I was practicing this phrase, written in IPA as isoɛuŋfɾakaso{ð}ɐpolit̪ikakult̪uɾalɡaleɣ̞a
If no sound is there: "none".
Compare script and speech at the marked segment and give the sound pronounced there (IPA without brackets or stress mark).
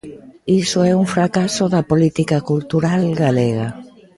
ð